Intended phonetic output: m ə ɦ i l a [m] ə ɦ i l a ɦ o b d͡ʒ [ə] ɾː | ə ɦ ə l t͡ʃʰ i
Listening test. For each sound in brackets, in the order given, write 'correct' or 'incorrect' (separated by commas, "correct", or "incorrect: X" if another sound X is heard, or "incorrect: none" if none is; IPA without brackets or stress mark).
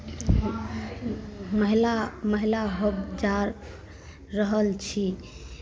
correct, incorrect: a